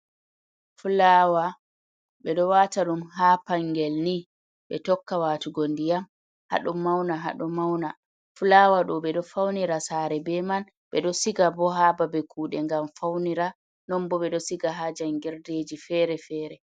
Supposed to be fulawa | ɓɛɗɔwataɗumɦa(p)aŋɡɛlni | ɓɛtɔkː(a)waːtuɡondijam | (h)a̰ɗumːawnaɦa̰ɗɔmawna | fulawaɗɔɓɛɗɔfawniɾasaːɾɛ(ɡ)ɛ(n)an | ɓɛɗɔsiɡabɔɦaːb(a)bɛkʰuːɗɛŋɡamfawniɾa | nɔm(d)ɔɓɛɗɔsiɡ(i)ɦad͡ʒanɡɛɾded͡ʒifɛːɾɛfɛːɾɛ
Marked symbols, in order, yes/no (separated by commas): yes, yes, yes, no, no, yes, no, no